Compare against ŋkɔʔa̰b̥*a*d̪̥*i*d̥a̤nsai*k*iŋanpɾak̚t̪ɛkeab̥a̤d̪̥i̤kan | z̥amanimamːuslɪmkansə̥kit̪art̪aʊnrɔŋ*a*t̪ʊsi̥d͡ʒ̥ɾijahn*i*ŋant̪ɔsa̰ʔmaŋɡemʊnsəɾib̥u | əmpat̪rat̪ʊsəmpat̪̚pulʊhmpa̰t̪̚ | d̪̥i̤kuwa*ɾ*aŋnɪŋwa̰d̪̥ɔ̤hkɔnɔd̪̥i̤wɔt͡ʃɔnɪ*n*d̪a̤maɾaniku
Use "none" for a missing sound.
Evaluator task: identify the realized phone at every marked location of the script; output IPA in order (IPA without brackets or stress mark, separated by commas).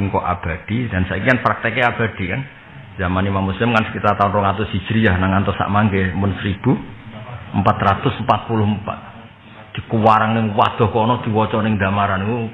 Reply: a, i, k, a, a, ɾ, ŋ